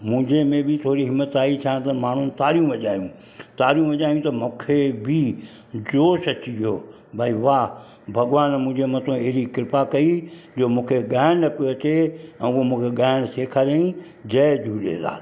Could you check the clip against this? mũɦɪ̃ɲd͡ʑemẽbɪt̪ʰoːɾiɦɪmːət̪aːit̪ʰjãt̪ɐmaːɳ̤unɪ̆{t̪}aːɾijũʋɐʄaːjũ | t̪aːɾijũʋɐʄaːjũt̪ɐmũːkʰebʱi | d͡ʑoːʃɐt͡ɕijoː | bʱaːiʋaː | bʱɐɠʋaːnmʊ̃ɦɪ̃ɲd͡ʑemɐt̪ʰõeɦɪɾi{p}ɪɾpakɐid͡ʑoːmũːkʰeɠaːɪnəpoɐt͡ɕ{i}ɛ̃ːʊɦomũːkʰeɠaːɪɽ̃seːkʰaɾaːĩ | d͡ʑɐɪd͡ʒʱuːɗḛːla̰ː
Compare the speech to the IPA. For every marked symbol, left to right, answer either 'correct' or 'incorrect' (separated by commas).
correct, incorrect, incorrect